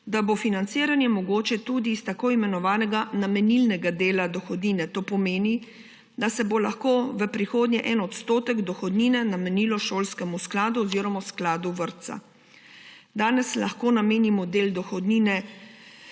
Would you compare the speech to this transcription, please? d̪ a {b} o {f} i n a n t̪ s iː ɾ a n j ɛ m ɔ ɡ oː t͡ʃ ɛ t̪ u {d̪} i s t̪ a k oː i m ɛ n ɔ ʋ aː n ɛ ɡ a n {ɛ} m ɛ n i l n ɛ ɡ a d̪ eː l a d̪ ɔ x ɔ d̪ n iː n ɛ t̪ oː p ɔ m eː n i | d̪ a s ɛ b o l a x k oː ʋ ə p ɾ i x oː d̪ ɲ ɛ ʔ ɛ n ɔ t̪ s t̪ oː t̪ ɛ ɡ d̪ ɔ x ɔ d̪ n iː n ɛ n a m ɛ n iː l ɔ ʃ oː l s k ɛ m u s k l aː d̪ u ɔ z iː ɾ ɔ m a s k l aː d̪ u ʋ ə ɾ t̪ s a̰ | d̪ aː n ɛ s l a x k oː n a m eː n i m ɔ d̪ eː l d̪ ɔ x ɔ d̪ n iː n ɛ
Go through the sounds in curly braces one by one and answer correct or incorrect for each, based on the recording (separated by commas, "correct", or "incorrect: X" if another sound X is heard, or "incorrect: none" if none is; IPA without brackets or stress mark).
correct, correct, correct, incorrect: a